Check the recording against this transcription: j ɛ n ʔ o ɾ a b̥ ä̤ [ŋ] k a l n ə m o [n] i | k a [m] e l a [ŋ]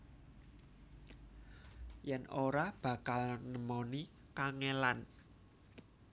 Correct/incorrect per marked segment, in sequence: incorrect: none, correct, incorrect: ŋ, incorrect: n

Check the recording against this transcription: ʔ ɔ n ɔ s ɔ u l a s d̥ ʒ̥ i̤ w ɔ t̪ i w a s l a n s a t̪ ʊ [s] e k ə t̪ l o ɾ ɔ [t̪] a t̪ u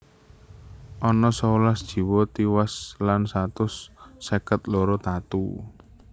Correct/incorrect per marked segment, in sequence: incorrect: sː, correct

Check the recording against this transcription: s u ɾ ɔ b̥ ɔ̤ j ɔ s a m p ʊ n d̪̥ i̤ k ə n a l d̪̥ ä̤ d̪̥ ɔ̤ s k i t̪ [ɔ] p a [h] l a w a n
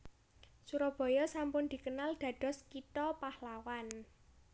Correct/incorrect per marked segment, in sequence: correct, correct

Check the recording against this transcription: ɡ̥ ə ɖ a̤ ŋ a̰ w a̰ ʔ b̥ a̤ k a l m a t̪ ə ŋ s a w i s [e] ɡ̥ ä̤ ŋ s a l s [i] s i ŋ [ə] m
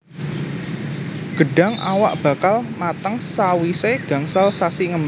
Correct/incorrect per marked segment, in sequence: correct, incorrect: a, correct

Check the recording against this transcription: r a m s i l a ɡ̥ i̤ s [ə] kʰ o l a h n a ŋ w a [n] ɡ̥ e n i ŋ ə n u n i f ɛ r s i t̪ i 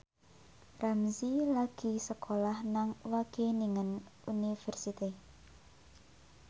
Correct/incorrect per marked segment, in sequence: correct, incorrect: none

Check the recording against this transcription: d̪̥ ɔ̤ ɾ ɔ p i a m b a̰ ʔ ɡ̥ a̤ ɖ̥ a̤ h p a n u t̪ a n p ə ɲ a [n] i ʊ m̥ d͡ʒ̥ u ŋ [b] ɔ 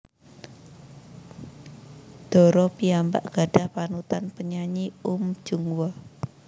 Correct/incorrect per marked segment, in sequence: incorrect: ɲ, incorrect: w

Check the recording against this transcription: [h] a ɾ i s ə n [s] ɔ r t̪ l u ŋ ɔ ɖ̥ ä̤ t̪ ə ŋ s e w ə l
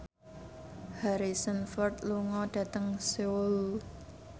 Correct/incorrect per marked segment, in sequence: correct, incorrect: f

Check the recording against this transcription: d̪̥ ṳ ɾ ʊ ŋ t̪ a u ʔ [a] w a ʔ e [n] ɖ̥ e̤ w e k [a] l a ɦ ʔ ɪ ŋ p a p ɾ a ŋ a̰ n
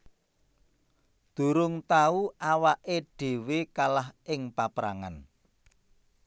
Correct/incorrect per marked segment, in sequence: correct, incorrect: none, correct

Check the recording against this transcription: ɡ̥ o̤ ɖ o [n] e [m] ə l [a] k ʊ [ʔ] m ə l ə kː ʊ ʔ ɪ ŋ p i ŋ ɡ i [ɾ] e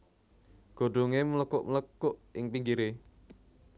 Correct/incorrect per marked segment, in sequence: incorrect: ŋ, correct, incorrect: ə, correct, correct

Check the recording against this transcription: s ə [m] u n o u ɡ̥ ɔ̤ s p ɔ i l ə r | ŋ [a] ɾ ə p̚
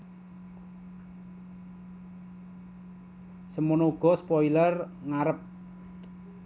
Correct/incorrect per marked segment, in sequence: correct, correct

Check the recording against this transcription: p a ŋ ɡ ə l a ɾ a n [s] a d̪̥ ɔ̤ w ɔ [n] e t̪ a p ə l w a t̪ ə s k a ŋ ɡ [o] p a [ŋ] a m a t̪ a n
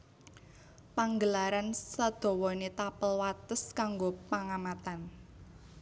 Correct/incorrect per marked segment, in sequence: correct, correct, correct, correct

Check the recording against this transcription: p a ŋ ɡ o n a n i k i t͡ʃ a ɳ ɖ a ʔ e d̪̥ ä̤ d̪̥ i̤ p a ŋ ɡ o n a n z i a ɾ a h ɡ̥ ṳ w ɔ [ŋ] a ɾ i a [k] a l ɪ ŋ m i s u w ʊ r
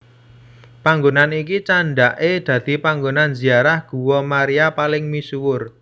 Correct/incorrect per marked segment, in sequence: incorrect: m, incorrect: p

